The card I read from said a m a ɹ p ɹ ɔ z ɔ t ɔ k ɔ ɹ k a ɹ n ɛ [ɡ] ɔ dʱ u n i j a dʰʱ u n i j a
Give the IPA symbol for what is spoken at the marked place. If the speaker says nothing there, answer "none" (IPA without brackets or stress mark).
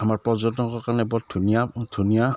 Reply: b